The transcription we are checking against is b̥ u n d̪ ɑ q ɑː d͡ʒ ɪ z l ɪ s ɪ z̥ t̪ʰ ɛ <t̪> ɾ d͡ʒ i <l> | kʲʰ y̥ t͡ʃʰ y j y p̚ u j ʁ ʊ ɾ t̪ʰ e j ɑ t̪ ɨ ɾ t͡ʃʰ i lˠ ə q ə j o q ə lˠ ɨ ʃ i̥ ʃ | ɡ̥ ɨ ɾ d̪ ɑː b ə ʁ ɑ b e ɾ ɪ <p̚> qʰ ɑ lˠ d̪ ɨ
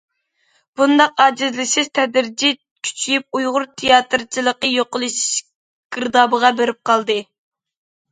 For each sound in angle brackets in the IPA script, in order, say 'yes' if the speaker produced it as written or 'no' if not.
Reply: no, no, yes

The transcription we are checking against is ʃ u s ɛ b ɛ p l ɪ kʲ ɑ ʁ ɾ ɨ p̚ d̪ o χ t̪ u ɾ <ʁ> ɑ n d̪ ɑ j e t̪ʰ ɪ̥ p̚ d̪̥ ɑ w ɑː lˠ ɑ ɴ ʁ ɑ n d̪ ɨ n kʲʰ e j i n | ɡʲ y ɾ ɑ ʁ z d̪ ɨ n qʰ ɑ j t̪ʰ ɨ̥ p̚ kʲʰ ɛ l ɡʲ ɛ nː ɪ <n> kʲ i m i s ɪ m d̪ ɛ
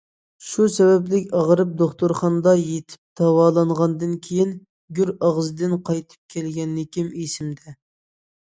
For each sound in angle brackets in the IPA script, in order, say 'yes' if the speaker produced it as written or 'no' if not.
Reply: no, no

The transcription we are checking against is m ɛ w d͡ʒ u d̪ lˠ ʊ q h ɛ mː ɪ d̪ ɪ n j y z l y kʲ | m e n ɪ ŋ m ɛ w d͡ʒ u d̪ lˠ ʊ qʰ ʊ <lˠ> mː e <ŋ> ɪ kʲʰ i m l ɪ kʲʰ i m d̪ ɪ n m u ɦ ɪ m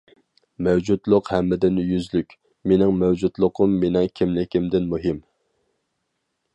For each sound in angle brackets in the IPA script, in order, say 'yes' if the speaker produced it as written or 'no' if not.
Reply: no, no

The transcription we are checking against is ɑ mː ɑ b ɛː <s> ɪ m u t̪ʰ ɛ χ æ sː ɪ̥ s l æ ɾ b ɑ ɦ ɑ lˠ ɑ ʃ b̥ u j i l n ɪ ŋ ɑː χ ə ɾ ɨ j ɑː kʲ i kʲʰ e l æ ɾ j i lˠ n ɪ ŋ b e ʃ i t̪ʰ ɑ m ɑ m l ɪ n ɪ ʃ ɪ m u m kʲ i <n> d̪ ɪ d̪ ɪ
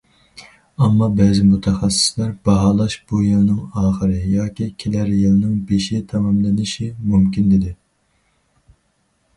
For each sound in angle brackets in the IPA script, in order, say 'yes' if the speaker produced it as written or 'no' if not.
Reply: no, yes

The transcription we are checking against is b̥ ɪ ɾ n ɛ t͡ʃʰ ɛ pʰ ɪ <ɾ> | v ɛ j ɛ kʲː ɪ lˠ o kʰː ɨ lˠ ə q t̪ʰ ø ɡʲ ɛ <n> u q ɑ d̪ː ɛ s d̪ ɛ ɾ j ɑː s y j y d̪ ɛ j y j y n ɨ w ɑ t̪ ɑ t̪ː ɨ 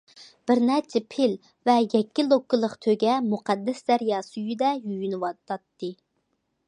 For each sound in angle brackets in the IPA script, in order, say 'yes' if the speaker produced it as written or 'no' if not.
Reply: no, no

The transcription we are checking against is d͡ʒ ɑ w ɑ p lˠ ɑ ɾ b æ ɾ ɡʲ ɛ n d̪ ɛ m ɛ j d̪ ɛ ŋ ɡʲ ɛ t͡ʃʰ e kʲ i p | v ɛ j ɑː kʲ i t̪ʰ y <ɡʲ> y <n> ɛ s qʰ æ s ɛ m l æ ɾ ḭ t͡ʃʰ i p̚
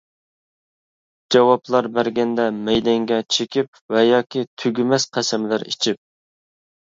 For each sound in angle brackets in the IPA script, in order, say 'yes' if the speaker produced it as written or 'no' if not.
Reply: yes, no

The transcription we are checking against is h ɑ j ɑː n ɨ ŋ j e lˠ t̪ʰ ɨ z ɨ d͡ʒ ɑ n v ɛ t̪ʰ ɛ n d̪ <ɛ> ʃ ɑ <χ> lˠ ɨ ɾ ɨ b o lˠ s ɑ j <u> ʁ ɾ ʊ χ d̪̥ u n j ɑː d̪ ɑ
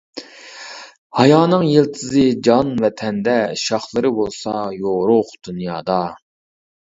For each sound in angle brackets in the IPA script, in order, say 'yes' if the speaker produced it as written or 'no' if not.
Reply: yes, yes, no

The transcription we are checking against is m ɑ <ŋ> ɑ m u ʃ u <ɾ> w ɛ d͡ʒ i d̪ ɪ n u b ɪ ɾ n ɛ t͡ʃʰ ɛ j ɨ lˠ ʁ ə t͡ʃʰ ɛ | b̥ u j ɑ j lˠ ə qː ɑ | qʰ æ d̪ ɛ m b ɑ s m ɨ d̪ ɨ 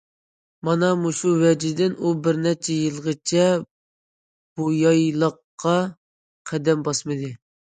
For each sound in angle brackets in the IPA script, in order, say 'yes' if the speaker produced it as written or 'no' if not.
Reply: no, no

